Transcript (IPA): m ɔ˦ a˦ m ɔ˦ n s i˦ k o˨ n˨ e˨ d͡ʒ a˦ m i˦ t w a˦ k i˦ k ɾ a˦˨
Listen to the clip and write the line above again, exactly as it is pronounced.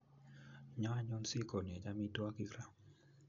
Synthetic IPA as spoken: ɲ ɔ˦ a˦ ɲ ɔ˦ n s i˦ k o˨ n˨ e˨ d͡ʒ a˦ m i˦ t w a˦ k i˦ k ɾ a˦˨